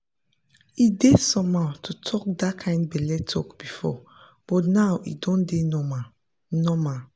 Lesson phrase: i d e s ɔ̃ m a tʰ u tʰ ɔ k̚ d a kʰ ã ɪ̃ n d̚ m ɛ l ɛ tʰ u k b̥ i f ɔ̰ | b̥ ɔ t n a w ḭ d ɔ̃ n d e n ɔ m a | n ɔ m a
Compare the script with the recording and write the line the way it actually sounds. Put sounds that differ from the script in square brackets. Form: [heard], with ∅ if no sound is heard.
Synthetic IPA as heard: i d e s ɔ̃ m a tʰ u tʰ ɔ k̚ d a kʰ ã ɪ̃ n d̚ [b] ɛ l ɛ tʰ [ɔ] k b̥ i f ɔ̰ | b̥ ɔ t n a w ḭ d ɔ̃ n d e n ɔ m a | n ɔ m a